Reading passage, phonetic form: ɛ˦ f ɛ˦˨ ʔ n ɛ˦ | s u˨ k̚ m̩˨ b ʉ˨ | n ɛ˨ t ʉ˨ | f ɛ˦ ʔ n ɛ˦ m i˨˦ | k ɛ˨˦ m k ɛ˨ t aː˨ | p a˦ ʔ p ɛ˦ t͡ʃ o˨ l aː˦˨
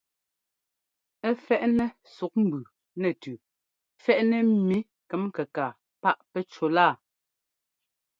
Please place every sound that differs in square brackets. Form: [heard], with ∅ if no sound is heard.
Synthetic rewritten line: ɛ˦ f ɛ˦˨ ʔ n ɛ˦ | s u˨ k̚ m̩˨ b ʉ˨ | n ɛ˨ t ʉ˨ | f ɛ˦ ʔ n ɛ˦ m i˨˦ | k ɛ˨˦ m k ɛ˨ [k] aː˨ | p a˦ ʔ p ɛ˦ t͡ʃ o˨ l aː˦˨